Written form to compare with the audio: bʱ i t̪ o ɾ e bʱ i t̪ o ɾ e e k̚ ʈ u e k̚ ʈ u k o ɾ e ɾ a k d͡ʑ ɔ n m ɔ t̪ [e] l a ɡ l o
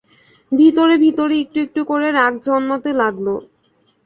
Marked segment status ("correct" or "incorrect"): correct